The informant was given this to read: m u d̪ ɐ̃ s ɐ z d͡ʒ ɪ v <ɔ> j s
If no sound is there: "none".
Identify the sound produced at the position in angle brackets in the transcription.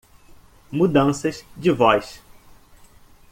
ɔ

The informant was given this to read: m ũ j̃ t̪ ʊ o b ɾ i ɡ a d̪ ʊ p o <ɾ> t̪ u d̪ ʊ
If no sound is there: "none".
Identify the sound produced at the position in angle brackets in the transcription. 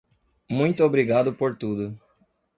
ɾ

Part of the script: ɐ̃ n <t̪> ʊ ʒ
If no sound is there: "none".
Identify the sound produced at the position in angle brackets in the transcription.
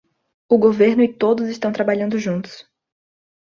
d̪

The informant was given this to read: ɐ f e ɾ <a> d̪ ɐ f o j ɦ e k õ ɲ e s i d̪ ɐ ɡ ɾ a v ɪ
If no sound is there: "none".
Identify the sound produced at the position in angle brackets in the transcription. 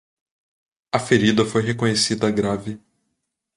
i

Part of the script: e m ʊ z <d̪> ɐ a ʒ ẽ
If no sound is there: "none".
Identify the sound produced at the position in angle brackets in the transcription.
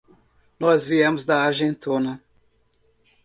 d̪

